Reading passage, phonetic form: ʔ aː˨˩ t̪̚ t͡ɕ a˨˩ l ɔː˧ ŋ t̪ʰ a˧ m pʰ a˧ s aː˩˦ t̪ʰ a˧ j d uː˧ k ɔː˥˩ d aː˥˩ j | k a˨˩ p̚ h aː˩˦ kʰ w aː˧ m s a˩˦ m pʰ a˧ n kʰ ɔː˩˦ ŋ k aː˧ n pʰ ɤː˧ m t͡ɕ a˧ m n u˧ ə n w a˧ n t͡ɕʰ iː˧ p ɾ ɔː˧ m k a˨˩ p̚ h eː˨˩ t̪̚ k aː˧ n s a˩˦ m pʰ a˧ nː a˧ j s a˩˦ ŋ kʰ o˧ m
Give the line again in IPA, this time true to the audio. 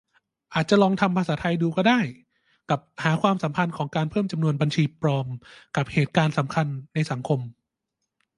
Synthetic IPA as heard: ʔ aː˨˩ t̪̚ t͡ɕ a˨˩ l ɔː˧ ŋ t̪ʰ a˧ m pʰ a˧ s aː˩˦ t̪ʰ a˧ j d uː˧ k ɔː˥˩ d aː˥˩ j | k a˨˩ p̚ h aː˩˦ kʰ w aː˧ m s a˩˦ m pʰ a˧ n kʰ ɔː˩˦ ŋ k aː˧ n pʰ ɤː˥˩ m t͡ɕ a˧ m n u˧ ə n b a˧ n t͡ɕʰ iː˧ p ɾ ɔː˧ m k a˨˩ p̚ h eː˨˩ t̪̚ k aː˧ n s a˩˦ m kʰ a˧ nː a˧ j s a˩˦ ŋ kʰ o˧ m